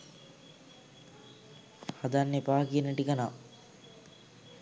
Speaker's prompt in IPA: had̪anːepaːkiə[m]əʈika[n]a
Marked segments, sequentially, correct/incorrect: incorrect, correct

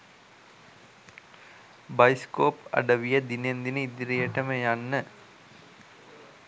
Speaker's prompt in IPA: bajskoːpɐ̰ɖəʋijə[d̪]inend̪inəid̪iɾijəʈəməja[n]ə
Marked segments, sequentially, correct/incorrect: correct, incorrect

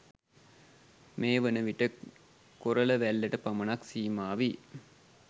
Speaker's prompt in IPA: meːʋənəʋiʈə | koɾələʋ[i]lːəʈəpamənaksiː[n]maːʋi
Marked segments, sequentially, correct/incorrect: incorrect, incorrect

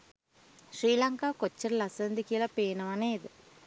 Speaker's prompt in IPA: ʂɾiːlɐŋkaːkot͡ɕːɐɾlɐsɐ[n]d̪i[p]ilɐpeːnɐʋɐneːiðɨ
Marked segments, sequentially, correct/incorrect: correct, incorrect

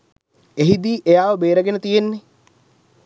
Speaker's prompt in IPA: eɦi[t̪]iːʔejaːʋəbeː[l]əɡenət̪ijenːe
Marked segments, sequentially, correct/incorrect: incorrect, incorrect

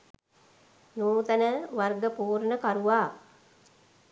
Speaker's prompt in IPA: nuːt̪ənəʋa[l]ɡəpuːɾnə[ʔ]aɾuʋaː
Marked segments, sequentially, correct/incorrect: incorrect, incorrect

